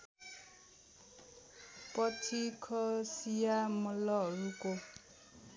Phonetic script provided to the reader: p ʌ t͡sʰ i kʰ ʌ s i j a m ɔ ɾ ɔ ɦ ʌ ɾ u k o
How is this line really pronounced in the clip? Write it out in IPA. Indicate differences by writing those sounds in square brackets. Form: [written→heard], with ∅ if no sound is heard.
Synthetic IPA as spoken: p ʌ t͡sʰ i kʰ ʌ s i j a m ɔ [ɾ→l] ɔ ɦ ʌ ɾ u k o